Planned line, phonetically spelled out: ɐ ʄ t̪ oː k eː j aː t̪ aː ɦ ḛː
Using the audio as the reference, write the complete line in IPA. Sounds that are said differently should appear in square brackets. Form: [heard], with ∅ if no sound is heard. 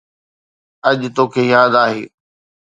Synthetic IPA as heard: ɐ ʄ t̪ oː [kʰ] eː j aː [d̪] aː ɦ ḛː